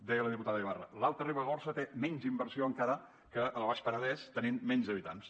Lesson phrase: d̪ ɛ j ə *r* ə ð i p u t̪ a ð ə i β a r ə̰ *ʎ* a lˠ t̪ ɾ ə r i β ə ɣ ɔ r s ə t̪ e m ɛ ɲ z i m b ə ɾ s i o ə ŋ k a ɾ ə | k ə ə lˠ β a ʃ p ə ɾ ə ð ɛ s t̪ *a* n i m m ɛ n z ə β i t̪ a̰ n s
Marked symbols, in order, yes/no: no, no, no

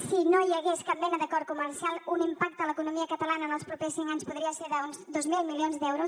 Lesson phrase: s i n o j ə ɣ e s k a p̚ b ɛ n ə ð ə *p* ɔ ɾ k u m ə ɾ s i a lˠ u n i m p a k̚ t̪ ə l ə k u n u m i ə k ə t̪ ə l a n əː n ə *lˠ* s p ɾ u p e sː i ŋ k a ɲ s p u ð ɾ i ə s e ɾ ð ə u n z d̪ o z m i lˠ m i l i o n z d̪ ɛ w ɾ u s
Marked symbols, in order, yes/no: no, yes

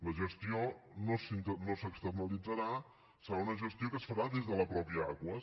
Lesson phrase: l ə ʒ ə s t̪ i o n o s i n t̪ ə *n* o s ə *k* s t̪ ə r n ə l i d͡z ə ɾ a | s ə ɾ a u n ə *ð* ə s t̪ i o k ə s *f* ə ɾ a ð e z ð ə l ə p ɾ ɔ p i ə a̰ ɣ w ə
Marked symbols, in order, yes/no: yes, yes, no, yes

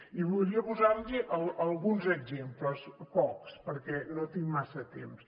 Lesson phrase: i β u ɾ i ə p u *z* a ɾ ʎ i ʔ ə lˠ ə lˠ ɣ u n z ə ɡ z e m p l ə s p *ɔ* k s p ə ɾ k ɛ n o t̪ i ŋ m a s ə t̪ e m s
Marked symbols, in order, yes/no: yes, yes

